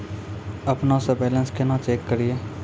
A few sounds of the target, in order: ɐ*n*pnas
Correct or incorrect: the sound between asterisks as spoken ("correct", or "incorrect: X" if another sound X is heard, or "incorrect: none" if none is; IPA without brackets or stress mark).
incorrect: none